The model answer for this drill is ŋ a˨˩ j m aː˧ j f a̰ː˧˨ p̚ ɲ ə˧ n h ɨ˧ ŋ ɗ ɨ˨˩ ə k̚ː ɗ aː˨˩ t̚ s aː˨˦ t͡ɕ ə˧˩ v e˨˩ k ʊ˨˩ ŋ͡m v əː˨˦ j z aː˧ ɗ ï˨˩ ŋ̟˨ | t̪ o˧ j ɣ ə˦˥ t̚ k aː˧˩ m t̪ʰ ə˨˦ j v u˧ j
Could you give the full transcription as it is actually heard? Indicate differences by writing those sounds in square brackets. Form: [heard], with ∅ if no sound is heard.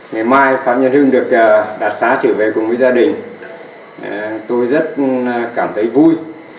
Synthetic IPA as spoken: ŋ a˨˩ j m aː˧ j f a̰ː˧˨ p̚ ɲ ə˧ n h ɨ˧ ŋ ɗ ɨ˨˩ ə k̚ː ɗ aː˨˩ t̚ s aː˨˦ t͡ɕ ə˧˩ v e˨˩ k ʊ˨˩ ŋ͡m v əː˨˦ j z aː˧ ɗ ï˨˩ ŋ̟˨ | t̪ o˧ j [z] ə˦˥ t̚ k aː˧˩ m t̪ʰ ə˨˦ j v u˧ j

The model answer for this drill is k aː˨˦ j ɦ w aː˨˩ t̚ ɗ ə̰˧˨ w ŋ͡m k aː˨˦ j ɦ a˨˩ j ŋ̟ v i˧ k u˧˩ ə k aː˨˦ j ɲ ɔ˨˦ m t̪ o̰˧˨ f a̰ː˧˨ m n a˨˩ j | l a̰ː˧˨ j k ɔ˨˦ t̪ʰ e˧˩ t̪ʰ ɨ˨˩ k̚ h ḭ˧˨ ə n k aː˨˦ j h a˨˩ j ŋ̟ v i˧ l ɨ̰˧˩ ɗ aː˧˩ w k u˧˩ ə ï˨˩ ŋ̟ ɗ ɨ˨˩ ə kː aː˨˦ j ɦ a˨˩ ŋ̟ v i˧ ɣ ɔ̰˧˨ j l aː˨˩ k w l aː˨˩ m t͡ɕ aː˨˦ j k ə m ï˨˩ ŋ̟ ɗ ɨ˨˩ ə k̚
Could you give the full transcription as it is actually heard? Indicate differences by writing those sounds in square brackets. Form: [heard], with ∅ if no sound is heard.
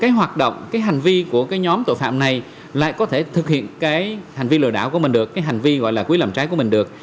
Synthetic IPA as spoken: k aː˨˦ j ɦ w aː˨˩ t̚ ɗ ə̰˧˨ w ŋ͡m k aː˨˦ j ɦ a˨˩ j ŋ̟ v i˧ k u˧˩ ə k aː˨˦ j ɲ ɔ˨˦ m t̪ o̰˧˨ f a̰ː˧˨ m n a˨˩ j | l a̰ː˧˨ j k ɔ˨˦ t̪ʰ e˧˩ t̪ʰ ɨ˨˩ k̚ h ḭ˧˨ ə n k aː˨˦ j h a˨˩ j ŋ̟ v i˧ l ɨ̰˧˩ ɗ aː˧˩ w k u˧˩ ə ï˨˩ ŋ̟ ɗ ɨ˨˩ ə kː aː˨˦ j ɦ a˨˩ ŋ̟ v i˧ ɣ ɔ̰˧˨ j l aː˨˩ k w l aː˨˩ m t͡ɕ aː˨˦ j k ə m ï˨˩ ŋ̟ ɗ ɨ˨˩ ə k̚

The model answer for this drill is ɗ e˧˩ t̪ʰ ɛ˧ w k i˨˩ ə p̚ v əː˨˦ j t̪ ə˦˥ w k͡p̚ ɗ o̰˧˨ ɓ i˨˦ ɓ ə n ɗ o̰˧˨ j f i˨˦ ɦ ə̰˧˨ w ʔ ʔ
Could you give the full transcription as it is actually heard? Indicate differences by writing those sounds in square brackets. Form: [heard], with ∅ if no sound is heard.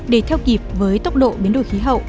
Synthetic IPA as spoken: ɗ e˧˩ t̪ʰ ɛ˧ w k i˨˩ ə p̚ v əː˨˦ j t̪ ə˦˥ w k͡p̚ ɗ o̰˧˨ ɓ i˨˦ [∅] ə n ɗ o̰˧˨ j [x] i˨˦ ɦ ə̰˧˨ w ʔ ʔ

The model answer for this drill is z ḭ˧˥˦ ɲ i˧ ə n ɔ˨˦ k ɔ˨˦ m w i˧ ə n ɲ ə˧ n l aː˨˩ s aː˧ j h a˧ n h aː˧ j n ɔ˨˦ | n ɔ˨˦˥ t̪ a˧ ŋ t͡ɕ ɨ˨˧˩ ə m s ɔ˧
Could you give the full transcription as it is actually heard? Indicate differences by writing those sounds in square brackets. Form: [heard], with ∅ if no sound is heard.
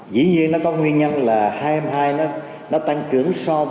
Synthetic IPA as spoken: z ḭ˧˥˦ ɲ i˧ ə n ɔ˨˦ k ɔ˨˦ [ŋ] w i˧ ə n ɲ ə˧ n l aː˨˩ [h] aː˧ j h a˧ [m] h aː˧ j n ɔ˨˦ | n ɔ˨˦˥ t̪ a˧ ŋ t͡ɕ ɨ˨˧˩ ə [ŋ] s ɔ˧

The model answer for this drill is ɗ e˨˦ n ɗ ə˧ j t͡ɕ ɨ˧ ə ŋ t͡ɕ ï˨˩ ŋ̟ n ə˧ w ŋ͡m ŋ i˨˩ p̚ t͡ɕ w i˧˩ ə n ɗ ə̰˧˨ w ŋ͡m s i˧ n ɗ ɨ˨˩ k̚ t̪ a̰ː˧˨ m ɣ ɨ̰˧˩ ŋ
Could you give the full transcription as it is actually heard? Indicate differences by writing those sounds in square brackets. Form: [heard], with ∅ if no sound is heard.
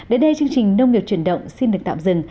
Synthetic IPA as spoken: ɗ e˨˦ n ɗ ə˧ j t͡ɕ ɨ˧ ə ŋ t͡ɕ ï˨˩ ŋ̟ n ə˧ w ŋ͡m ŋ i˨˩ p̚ t͡ɕ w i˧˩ ə n ɗ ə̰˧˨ w ŋ͡m s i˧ n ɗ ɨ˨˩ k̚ t̪ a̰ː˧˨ m [z] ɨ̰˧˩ ŋ

